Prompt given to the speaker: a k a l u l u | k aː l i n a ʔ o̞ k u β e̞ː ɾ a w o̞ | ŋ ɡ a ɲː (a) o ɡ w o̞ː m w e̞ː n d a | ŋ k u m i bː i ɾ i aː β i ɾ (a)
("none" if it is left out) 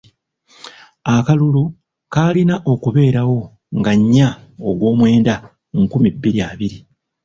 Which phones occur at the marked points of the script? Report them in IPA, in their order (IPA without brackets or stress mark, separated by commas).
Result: a, i